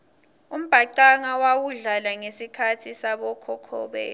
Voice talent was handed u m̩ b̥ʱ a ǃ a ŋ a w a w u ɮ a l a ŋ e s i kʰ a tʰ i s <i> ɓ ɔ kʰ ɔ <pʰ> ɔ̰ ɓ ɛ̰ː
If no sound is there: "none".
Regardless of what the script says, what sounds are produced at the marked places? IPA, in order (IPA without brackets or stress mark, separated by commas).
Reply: a, kʰ